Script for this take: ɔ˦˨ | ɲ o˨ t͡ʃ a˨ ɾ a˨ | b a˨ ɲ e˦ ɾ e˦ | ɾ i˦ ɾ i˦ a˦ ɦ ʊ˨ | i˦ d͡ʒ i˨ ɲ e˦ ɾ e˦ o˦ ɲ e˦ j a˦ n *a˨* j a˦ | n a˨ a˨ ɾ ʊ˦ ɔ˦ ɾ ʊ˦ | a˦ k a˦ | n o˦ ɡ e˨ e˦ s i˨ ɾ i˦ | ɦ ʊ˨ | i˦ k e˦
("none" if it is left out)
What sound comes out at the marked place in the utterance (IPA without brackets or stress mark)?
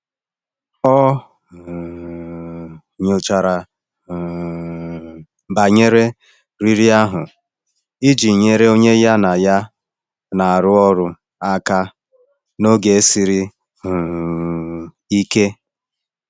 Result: a˨